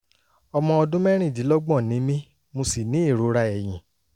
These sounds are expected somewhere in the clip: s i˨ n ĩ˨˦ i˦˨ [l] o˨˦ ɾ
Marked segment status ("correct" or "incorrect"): incorrect